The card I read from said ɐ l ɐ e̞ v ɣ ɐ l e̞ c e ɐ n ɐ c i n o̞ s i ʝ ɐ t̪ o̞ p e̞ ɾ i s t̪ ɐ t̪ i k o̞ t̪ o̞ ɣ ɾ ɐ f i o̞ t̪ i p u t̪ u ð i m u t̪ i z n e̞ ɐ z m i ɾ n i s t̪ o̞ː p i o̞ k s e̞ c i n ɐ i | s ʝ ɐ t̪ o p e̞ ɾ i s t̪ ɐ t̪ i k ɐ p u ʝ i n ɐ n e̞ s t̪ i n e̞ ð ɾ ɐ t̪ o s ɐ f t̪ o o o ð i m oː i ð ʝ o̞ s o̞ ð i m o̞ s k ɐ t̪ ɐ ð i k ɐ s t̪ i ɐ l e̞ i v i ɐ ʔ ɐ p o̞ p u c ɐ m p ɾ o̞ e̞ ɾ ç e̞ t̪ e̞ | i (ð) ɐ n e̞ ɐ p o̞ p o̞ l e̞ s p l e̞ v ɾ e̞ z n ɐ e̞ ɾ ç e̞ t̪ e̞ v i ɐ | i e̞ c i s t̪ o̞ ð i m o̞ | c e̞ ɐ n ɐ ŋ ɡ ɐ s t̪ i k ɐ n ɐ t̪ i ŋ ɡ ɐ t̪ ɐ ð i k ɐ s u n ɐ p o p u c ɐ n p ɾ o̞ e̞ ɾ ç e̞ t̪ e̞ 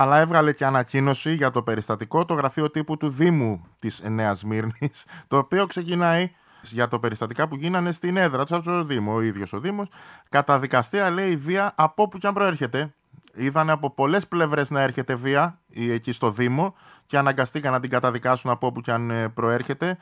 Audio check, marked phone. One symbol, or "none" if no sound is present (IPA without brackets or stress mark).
ð